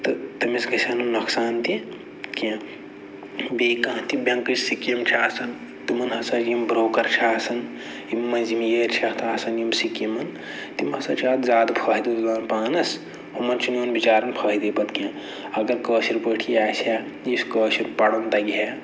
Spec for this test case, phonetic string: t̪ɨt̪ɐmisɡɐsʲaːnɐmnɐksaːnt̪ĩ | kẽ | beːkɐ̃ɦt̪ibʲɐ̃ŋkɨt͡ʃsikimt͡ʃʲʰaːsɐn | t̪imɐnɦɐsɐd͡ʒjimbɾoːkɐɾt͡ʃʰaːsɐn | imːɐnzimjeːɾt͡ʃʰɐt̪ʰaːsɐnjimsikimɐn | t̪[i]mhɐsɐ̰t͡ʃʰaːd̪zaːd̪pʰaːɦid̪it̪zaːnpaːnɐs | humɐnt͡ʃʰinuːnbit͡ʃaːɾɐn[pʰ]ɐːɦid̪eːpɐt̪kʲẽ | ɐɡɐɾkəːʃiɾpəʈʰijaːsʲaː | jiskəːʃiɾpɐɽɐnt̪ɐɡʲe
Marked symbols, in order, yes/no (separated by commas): yes, yes